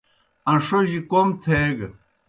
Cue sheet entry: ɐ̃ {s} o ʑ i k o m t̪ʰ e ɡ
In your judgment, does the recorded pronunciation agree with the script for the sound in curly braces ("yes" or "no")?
no